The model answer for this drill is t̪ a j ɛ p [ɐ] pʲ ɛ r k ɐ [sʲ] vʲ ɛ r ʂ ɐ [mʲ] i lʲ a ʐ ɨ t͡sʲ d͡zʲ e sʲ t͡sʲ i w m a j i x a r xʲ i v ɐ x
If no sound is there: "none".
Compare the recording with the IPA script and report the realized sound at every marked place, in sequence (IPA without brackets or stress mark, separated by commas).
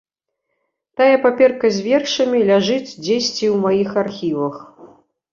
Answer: a, zʲ, mʲ